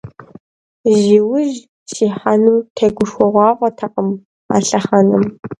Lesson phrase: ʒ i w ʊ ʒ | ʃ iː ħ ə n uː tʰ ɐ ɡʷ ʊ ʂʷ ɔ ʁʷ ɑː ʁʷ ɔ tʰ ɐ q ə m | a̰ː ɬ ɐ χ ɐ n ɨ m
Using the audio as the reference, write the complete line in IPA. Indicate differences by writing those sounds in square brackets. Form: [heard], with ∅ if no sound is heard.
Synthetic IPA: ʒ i w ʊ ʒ | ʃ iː ħ [a] n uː tʰ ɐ ɡʷ ʊ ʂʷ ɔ ʁʷ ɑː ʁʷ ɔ tʰ ɐ q ə m | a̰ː ɬ ɐ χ ɐ n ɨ m